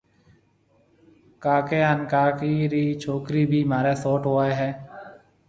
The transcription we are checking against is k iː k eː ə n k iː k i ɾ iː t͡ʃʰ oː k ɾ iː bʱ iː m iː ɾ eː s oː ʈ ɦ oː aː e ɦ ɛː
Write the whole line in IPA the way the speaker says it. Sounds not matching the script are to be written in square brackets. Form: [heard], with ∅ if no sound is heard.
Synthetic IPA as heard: k [aː] k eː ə n k [aː] k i ɾ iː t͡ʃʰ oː k ɾ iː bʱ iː m [aː] ɾ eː s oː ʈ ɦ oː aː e ɦ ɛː